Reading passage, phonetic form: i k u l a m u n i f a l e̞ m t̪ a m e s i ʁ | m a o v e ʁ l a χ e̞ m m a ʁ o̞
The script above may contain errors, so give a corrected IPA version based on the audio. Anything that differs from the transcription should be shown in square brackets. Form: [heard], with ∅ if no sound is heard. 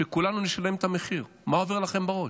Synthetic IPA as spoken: [e] k u l a [n] u n i [ʃ] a l e̞ m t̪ a m e [χ] i ʁ | m a o v e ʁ l a χ e̞ m [b] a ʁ o̞